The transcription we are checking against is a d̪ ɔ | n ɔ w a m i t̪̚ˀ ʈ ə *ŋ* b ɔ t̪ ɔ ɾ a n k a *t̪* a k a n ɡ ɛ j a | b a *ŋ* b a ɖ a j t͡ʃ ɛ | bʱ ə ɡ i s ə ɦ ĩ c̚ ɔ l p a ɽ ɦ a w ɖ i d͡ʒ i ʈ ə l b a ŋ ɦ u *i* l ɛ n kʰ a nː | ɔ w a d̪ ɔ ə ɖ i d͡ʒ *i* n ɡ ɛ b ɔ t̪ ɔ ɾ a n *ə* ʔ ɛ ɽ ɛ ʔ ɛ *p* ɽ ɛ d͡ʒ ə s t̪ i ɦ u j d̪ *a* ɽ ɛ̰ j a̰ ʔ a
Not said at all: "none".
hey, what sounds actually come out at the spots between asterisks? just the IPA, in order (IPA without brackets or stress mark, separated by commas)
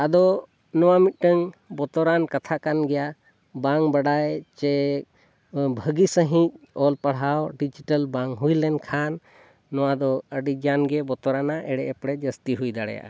ŋ, t̪ʰ, ŋ, j, a, a, p, a